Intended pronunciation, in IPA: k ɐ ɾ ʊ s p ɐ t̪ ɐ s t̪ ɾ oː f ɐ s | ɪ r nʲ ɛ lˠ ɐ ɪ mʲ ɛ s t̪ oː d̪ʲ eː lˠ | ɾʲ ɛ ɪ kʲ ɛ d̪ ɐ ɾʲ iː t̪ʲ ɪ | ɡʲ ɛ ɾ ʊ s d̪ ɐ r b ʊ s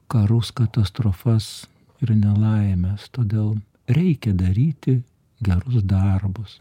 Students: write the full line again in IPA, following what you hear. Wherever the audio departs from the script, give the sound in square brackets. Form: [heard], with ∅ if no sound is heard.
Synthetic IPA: k ɐ ɾ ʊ s [k] ɐ t̪ ɐ s t̪ ɾ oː f ɐ s | ɪ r nʲ ɛ lˠ ɐ ɪ mʲ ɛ s t̪ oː d̪ʲ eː lˠ | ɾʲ ɛ ɪ kʲ ɛ d̪ ɐ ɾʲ iː t̪ʲ ɪ | ɡʲ ɛ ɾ ʊ s d̪ ɐ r b ʊ s

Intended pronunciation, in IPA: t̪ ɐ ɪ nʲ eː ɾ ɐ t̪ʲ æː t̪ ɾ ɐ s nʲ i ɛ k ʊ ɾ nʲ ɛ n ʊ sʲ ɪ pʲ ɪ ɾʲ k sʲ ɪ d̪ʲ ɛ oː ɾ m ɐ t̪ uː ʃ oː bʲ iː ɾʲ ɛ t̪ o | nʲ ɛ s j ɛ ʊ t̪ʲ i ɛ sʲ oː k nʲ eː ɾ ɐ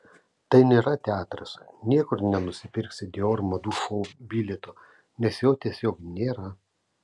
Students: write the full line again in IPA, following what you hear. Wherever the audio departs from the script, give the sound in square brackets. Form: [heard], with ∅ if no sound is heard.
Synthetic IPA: t̪ ɐ ɪ nʲ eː ɾ ɐ t̪ʲ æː t̪ ɾ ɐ s nʲ i ɛ k ʊ ɾ nʲ ɛ n ʊ sʲ ɪ pʲ ɪ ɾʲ k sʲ ɪ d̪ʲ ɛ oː ɾ m ɐ [d̪] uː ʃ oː bʲ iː [lʲ] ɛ t̪ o | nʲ ɛ s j ɛ ʊ t̪ʲ i ɛ sʲ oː k nʲ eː ɾ ɐ

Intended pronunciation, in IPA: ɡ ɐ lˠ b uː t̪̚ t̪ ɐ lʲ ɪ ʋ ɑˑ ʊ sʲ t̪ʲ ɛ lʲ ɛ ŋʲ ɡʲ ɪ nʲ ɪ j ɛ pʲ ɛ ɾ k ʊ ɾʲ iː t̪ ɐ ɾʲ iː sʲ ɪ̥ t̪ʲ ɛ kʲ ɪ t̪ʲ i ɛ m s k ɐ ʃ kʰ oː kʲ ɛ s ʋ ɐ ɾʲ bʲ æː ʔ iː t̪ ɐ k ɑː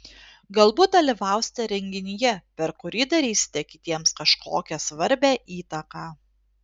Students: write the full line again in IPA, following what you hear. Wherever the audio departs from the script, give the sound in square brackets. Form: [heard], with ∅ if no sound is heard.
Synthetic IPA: ɡ ɐ lˠ b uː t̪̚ [d̪] ɐ lʲ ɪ ʋ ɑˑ ʊ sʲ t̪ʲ ɛ [ɾʲ] ɛ ŋʲ ɡʲ ɪ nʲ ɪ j ɛ pʲ ɛ ɾ k ʊ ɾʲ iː [d̪] ɐ ɾʲ iː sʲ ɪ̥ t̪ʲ ɛ kʲ ɪ t̪ʲ i ɛ m s k ɐ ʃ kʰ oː kʲ ɛ s ʋ ɐ ɾʲ bʲ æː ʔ iː t̪ ɐ k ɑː

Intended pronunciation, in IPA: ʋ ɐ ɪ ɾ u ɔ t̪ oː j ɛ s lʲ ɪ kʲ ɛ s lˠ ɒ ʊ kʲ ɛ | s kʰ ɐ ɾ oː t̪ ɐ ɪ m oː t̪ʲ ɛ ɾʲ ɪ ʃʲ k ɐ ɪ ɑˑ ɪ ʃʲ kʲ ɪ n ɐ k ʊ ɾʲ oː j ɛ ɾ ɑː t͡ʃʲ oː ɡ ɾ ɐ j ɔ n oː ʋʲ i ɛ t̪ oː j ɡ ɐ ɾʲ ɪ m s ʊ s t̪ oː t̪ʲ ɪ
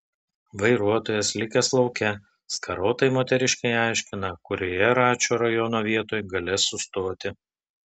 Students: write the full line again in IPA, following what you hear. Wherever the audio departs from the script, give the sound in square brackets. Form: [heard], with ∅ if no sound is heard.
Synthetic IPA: ʋ ɐ ɪ ɾ u ɔ t̪ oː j ɛ s lʲ ɪ kʲ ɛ s lˠ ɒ ʊ kʲ ɛ | s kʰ ɐ ɾ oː t̪ ɐ ɪ m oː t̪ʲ ɛ ɾʲ ɪ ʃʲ k ɐ ɪ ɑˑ ɪ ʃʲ kʲ ɪ n ɐ k ʊ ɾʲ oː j ɛ ɾ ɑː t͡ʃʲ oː [∅] ɾ ɐ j ɔ n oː ʋʲ i ɛ t̪ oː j ɡ ɐ [lʲ] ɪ [∅] s ʊ s t̪ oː t̪ʲ ɪ

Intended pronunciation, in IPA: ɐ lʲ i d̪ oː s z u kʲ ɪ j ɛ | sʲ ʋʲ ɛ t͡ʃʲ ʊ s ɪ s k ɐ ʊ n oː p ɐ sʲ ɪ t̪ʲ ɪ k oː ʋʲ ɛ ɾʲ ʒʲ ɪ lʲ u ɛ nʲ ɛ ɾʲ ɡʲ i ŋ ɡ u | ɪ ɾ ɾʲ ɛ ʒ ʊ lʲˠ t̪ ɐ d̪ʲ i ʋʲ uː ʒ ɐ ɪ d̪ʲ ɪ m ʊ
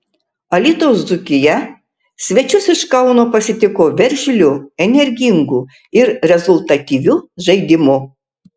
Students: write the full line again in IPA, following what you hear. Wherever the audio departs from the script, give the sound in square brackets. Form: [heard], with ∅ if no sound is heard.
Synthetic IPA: ɐ lʲ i [t̪] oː s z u kʲ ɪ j ɛ | sʲ ʋʲ ɛ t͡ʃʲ ʊ s ɪ [ʃ] k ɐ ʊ n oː p ɐ sʲ ɪ t̪ʲ ɪ k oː ʋʲ ɛ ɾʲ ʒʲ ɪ lʲ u ɛ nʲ ɛ ɾʲ ɡʲ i ŋ ɡ u | ɪ ɾ ɾʲ ɛ [z] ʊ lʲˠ t̪ ɐ [t̪ʲ] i ʋʲ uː ʒ ɐ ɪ d̪ʲ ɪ m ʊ

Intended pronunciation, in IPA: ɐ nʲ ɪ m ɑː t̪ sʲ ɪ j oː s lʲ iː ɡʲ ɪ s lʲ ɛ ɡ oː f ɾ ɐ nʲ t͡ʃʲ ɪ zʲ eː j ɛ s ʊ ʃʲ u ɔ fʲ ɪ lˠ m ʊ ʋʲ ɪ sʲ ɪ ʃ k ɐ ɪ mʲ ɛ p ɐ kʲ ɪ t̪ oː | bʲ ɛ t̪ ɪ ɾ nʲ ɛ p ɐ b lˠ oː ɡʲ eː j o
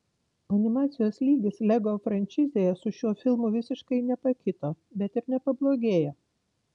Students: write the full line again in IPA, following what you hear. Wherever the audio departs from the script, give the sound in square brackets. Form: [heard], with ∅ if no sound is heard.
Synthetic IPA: ɐ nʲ ɪ m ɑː t̪ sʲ ɪ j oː s lʲ iː ɡʲ ɪ s lʲ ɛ ɡ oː f ɾ ɐ nʲ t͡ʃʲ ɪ zʲ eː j ɛ s ʊ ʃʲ u ɔ fʲ ɪ lˠ m ʊ ʋʲ ɪ sʲ ɪ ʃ k ɐ ɪ [nʲ] ɛ p ɐ kʲ ɪ t̪ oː | bʲ ɛ t̪ ɪ ɾ nʲ ɛ p ɐ b lˠ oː ɡʲ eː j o

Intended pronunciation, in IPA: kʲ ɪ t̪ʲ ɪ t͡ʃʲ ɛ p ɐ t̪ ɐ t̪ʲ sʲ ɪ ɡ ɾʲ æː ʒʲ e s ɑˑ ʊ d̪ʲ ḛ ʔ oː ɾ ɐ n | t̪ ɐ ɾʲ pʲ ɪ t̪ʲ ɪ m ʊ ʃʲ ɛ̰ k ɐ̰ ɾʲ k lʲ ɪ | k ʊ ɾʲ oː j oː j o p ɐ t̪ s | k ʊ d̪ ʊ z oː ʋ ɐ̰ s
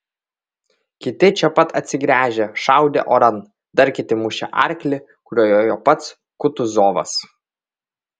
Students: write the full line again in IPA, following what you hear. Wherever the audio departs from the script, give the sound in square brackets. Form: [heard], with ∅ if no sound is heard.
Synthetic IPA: kʲ ɪ t̪ʲ ɪ t͡ʃʲ ɛ p ɐ t̪ ɐ t̪ʲ sʲ ɪ ɡ ɾʲ æː ʒʲ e [ʃ] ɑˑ ʊ d̪ʲ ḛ ʔ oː ɾ ɐ n | [d̪] ɐ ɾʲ [kʲ] ɪ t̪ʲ ɪ m ʊ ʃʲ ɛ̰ [ʔ] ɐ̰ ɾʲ k lʲ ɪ | k ʊ ɾʲ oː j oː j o p ɐ t̪ s | k ʊ [t̪] ʊ z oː ʋ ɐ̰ s

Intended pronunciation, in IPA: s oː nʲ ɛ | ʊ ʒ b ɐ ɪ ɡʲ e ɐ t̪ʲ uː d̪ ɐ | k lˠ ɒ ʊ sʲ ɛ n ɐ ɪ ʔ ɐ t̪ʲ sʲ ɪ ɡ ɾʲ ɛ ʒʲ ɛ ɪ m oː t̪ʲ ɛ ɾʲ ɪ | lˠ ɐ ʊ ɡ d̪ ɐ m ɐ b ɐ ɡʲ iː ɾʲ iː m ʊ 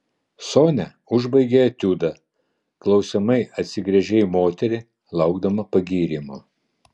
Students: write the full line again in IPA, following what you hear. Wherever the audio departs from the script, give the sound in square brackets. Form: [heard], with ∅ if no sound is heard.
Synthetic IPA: s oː nʲ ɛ | ʊ ʒ b ɐ ɪ ɡʲ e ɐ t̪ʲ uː d̪ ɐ | k lˠ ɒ ʊ sʲ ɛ [m] ɐ ɪ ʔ ɐ t̪ʲ sʲ ɪ ɡ ɾʲ ɛ ʒʲ ɛ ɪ m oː t̪ʲ ɛ ɾʲ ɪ | lˠ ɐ ʊ ɡ d̪ ɐ m ɐ [p] ɐ ɡʲ iː ɾʲ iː m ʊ

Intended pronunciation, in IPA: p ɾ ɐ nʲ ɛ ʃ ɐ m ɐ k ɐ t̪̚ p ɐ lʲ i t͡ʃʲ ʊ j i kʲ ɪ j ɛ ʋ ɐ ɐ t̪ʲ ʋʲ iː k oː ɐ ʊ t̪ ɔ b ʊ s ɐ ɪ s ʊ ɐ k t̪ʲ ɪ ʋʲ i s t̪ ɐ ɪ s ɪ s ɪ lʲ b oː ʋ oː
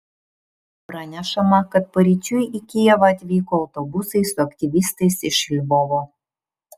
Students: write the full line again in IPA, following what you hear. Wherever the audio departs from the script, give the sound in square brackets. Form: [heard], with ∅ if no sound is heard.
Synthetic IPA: p ɾ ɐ nʲ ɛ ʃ ɐ m ɐ k ɐ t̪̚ p ɐ [ɾʲ] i t͡ʃʲ ʊ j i kʲ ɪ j ɛ ʋ ɐ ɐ t̪ʲ ʋʲ iː k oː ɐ ʊ t̪ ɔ b ʊ s ɐ ɪ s ʊ ɐ k t̪ʲ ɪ ʋʲ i s t̪ ɐ ɪ s ɪ [ʃ] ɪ lʲ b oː ʋ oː

